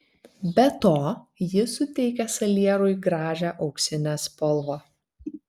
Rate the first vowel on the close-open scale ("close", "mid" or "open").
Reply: mid